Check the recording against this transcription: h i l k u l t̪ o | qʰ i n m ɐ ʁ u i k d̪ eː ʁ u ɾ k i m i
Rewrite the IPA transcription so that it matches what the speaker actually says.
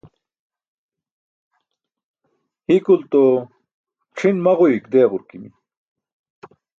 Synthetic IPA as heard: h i k u l t̪ o | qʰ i n m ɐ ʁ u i k d̪ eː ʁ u ɾ k i m i